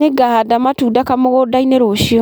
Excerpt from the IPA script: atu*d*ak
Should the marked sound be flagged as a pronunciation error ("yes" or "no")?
no